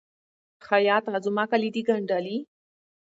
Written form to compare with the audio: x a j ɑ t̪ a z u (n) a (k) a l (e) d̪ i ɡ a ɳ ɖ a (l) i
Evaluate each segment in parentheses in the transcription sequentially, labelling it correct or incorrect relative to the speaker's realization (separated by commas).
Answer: incorrect, correct, incorrect, correct